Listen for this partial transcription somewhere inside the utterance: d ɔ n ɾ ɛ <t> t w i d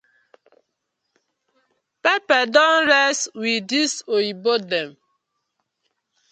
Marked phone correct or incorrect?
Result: incorrect